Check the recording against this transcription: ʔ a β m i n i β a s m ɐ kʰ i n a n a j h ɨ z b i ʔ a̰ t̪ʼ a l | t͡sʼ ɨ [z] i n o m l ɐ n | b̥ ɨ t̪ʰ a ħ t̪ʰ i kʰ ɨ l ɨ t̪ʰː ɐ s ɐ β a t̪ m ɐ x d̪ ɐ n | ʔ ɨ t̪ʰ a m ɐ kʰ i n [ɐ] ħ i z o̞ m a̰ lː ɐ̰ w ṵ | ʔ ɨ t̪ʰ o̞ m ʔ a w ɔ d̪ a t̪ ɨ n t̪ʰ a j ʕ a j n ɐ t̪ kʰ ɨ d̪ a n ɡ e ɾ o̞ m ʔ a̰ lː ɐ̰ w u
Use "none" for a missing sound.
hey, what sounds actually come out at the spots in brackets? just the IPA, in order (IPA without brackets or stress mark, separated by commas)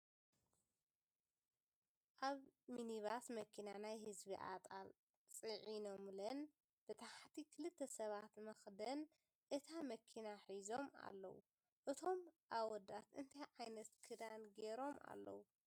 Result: ʕ, a